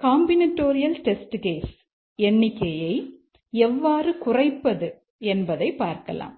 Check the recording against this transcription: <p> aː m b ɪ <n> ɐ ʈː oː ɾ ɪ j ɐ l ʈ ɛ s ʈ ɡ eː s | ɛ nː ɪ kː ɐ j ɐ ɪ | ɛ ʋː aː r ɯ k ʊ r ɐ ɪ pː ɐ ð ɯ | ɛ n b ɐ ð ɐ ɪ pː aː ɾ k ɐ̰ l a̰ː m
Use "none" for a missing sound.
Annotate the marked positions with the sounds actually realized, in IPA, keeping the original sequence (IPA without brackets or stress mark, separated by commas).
k, n